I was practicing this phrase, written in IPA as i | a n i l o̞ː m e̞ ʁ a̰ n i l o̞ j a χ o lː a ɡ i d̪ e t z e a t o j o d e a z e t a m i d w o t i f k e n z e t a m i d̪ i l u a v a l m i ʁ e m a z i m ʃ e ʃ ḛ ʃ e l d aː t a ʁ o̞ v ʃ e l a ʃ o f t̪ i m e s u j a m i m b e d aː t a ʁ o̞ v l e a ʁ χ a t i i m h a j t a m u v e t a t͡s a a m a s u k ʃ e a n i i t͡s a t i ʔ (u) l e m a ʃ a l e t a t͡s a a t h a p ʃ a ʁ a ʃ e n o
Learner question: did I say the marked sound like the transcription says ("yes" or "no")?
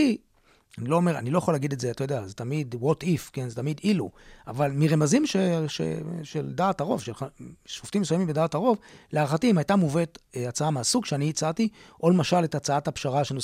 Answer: no